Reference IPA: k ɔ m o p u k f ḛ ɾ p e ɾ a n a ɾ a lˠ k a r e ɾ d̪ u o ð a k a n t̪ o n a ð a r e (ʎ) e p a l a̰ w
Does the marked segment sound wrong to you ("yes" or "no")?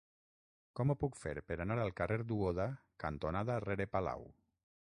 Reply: yes